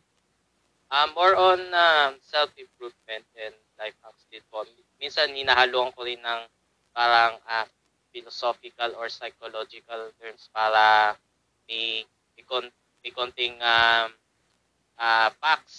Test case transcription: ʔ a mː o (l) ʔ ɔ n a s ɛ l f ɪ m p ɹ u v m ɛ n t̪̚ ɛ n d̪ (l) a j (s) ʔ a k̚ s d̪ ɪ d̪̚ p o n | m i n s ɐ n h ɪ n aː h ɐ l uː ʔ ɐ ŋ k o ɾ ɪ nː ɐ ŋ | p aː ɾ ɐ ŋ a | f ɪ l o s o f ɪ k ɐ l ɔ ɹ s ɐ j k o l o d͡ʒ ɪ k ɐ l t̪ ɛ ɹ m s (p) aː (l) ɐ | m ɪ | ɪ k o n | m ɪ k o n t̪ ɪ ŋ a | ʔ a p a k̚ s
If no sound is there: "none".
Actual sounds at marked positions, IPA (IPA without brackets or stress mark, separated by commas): ɹ, l, f, p, ɾ